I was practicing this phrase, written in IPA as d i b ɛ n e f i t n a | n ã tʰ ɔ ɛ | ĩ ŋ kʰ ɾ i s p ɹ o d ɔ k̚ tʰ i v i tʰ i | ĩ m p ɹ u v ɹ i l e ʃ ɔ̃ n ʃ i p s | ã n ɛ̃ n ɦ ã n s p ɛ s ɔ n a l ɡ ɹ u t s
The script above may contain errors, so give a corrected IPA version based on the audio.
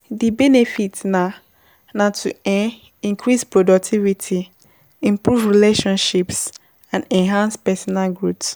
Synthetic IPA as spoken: d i b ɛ n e f i t n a | n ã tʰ u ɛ | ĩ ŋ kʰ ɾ i s p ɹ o d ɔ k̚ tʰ i v i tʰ i | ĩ m p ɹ u v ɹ i l e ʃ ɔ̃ n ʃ i p s | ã n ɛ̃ n ɦ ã n s p ɛ s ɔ n a l ɡ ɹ u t s

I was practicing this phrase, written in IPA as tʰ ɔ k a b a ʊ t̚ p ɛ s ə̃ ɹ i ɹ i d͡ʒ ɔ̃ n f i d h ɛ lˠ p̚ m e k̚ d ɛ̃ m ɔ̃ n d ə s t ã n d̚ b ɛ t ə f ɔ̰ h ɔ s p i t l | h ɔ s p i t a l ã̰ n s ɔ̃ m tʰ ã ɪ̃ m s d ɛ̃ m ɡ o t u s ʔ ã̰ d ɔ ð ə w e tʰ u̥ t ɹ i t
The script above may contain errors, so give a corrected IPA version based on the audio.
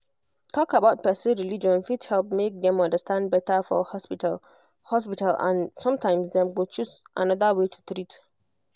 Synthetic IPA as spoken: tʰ ɔ k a b a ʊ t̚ p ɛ s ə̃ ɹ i l i d͡ʒ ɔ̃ n f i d h ɛ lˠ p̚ m e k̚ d ɛ̃ m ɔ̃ n d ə s t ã n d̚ b ɛ t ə f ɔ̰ h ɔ s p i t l | h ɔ s p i t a l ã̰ n s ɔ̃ m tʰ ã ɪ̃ m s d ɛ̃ m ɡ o t͡ʃ u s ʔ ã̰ n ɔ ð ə w e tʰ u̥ t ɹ i t

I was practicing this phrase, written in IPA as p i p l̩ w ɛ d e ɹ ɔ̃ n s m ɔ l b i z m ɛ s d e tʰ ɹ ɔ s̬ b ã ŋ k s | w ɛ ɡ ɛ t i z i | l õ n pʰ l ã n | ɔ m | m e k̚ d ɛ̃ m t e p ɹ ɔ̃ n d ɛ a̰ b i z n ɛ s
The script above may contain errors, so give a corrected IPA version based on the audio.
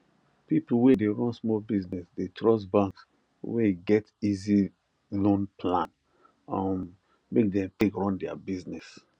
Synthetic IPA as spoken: p i p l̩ w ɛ d e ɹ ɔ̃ n s m ɔ l b i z n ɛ s d e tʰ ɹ ɔ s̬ b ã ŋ k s | w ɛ ɡ ɛ t i z i | l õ n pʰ l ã n | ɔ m | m e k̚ d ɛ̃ m t e k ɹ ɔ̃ n d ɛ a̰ b i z n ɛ s

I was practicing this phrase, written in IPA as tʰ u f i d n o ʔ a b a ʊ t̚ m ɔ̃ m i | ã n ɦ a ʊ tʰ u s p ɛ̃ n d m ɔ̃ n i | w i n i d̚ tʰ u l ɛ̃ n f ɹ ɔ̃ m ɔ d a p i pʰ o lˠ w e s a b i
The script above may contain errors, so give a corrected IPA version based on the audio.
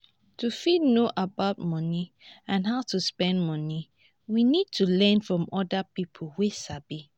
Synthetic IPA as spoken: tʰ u f i d n o ʔ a b a ʊ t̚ m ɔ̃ n i | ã n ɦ a ʊ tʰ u s p ɛ̃ n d m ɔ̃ n i | w i n i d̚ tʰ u l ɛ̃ n f ɹ ɔ̃ m ɔ d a p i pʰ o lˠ w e s a b i

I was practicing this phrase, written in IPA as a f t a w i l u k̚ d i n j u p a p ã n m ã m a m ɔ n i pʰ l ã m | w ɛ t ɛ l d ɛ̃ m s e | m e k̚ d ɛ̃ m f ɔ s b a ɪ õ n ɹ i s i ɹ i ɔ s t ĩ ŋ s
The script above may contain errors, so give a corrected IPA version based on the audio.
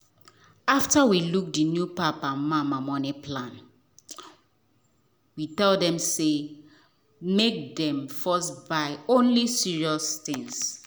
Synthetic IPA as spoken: a f t a w i l u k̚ d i n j u p a p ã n m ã m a m ɔ n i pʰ l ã n | w i t ɛ l d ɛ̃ m s e | m e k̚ d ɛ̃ m f ɔ s b a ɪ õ n l i s i ɹ i ɔ s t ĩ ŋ s

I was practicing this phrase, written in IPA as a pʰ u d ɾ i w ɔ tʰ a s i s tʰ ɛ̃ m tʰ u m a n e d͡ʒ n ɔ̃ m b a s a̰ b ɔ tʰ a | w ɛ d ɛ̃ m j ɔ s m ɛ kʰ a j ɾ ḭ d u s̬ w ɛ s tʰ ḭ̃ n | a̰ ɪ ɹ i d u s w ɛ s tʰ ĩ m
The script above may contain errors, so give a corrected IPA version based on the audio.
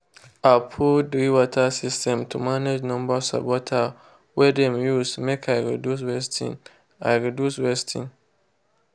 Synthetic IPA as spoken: a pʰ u d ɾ i w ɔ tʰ a s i s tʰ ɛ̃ m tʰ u m a n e d͡ʒ n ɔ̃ m b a s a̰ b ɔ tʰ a | w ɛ d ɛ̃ m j u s m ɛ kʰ a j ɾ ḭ d u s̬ w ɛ s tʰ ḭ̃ n | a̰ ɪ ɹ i d u s w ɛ s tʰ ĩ n

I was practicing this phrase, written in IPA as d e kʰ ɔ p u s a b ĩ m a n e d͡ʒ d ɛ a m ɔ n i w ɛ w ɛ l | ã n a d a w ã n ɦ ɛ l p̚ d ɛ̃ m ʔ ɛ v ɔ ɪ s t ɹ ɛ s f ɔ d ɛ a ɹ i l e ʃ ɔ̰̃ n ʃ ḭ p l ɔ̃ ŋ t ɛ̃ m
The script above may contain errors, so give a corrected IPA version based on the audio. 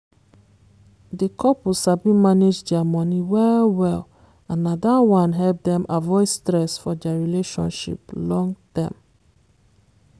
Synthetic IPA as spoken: d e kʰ ɔ p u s a b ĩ m a n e d͡ʒ d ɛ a m ɔ n i w ɛ w ɛ l | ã n a d a w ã n ɦ ɛ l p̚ d ɛ̃ m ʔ a v ɔ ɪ s t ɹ ɛ s f ɔ d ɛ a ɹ i l e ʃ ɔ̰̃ n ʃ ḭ p l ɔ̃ ŋ t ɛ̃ m

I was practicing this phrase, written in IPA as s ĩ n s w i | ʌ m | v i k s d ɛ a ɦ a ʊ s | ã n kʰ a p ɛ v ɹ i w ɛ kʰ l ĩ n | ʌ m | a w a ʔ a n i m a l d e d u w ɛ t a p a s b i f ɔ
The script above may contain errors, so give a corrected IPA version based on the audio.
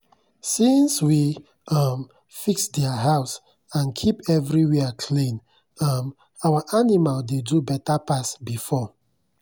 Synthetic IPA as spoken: s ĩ n s w i | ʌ m | f i k s d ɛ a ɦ a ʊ s | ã n kʰ i p ɛ v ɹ i w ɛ kʰ l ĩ n | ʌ m | a w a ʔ a n i m a l d e d u b ɛ t a p a s b i f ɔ

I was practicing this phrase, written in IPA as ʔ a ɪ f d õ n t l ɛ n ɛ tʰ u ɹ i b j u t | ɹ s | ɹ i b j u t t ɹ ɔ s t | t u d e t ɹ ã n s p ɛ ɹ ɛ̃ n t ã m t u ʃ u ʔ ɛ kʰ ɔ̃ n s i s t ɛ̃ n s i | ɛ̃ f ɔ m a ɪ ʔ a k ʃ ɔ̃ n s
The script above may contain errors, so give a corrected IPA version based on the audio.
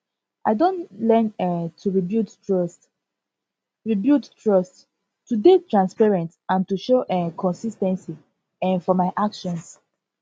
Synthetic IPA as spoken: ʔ a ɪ d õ n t l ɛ n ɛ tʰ u ɹ i b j u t | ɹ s | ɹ i b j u t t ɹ ɔ s t | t u d e t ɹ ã n s p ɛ ɹ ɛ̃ n t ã n t u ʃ o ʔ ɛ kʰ ɔ̃ n s i s t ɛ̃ n s i | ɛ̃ f ɔ m a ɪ ʔ a k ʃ ɔ̃ n s

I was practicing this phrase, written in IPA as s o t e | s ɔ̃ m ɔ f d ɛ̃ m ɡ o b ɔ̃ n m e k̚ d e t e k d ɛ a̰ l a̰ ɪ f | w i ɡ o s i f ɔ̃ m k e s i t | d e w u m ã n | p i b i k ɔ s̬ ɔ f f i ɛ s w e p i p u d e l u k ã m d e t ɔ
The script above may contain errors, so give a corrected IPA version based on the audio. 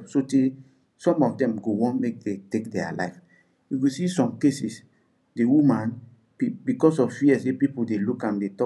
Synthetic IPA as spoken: s o t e | s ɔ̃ m ɔ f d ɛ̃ m ɡ o w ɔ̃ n m e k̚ d e t e k d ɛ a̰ l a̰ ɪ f | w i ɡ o s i s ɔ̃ m k e s i s | d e w u m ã n | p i b i k ɔ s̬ ɔ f f i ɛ s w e p i p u d e l u k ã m d e t ɔ

